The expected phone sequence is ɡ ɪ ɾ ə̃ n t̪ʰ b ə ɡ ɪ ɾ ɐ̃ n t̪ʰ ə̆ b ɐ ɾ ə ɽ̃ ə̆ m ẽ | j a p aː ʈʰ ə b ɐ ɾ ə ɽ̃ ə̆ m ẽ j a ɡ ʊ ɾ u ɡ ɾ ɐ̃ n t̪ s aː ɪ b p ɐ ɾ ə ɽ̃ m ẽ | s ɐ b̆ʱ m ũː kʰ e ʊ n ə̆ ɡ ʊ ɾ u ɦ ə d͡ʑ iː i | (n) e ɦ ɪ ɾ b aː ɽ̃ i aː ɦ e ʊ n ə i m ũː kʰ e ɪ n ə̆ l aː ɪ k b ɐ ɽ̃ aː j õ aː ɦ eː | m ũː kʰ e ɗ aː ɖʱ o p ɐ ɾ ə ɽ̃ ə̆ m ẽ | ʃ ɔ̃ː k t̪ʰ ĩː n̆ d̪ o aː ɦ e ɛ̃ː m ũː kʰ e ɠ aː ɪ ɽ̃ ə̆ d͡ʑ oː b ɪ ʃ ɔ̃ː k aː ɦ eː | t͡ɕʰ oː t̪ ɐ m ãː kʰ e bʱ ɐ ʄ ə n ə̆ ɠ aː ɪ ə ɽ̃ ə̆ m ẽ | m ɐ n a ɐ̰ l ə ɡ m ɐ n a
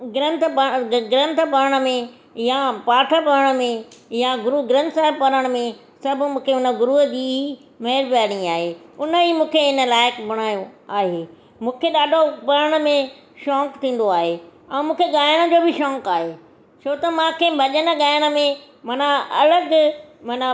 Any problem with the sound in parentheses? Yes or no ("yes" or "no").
yes